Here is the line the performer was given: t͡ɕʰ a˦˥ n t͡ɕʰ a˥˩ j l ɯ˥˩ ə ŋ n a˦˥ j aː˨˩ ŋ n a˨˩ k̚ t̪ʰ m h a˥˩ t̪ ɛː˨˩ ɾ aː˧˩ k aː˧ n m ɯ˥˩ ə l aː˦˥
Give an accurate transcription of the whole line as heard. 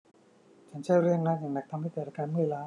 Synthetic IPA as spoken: t͡ɕʰ a˦˥ n t͡ɕʰ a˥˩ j ɾ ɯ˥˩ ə ŋ n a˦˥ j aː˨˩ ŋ n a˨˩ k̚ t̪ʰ m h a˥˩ t̪ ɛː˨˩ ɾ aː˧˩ k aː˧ n m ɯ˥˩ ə l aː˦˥